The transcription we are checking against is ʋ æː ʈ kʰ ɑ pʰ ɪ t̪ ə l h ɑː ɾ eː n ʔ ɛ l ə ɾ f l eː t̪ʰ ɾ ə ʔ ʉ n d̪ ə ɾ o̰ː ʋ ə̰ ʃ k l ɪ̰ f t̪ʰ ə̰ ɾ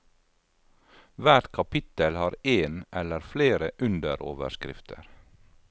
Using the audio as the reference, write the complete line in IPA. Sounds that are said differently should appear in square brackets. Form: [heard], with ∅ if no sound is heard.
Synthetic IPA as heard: ʋ æː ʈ kʰ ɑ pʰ ɪ t̪ ə l h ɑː ɾ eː n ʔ ɛ l ə ɾ f l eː [∅] ɾ ə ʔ ʉ n d̪ ə ɾ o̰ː ʋ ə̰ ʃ k [ɾ] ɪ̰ f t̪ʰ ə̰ ɾ